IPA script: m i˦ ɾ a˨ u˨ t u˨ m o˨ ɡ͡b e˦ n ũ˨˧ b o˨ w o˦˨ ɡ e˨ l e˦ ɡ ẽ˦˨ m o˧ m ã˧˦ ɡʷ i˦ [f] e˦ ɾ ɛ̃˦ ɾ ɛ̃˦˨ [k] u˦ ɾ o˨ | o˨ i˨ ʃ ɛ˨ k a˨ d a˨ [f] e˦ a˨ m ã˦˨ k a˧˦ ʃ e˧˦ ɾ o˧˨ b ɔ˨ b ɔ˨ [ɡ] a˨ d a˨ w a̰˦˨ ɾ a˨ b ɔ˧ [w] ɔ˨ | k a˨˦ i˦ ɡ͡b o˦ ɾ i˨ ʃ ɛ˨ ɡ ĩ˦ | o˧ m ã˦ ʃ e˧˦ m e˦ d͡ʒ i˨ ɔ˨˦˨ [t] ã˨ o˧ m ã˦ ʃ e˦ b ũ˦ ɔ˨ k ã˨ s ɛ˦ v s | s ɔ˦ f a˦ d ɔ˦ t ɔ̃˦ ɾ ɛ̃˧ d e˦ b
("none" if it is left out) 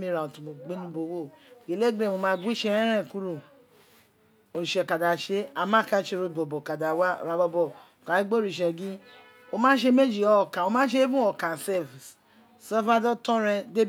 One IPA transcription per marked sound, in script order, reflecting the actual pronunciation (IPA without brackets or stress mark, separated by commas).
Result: ʃ, k, ʃ, k, b, k